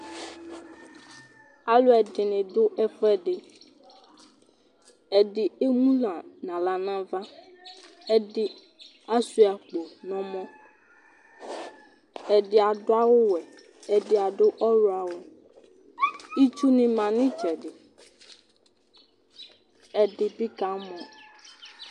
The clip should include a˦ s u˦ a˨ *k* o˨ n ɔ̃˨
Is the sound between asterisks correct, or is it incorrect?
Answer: incorrect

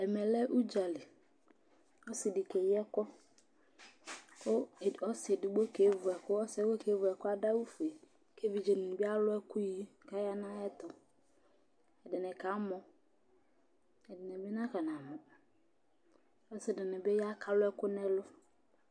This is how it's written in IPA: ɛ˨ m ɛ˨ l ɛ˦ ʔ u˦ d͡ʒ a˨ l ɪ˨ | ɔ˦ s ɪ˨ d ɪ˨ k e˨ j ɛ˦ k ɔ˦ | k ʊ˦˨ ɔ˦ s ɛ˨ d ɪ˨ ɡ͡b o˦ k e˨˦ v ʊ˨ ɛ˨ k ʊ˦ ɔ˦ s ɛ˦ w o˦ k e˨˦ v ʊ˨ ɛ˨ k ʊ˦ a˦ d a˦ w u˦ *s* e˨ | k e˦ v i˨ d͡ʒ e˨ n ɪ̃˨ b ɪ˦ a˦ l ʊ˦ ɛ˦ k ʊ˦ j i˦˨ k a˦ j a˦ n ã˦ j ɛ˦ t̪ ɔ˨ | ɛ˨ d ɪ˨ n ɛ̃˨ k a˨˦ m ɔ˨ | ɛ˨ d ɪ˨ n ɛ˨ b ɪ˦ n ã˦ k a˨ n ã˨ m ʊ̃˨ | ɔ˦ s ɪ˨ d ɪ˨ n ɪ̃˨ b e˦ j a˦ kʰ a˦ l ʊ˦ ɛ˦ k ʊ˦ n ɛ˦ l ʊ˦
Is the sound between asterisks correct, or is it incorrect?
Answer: incorrect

